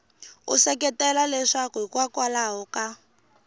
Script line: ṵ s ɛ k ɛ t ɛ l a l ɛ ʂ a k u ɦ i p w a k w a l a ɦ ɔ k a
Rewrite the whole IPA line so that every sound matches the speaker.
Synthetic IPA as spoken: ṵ s ɛ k ɛ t ɛ l a l ɛ ʂ a k u ɦ i k w a k w a l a ɦ ɔ k a